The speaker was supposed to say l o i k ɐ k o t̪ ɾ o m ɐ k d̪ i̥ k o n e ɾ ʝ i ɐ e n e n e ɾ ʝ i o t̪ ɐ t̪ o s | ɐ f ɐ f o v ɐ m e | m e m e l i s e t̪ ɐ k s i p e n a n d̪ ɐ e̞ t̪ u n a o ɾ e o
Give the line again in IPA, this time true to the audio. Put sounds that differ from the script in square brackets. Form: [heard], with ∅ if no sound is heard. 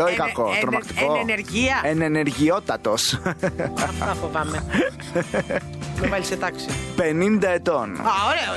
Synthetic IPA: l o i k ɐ k o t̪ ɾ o m ɐ k [t̪] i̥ k o n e ɾ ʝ i ɐ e n e n e ɾ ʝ i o t̪ ɐ t̪ o s | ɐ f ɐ f o v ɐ m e | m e m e l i s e t̪ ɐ k s i p e n [i] n d̪ ɐ e̞ t̪ [o] n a o ɾ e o